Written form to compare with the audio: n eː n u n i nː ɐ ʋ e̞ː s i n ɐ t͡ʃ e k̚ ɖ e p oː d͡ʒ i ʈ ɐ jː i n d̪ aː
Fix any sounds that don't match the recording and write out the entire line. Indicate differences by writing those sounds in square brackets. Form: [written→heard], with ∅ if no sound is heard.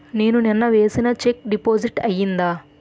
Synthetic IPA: n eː n u n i nː ɐ ʋ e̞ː s i n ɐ t͡ʃ e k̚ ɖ [e→i] p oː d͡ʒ i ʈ ɐ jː i n d̪ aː